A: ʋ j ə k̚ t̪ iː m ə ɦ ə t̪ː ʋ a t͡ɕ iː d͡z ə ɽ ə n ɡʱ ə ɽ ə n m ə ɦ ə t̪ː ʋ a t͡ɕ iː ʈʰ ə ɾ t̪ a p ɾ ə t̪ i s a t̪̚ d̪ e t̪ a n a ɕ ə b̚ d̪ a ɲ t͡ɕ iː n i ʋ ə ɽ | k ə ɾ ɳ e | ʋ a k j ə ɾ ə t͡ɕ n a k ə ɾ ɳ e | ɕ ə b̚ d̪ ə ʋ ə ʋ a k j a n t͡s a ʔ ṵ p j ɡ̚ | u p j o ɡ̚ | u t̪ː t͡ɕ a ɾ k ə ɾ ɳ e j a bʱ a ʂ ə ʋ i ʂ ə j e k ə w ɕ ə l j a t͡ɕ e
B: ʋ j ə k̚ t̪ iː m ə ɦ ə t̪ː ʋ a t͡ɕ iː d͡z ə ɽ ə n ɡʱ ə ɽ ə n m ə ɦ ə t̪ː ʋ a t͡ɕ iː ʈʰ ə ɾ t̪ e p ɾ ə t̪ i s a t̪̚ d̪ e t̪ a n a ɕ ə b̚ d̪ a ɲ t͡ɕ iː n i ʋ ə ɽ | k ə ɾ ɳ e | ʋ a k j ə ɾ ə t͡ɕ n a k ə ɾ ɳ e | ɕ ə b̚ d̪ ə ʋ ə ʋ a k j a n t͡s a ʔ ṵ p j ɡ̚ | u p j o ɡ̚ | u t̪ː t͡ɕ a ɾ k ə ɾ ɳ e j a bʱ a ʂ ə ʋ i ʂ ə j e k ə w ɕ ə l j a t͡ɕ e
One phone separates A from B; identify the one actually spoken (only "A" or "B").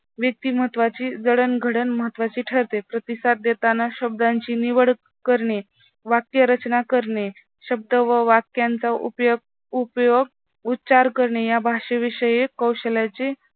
B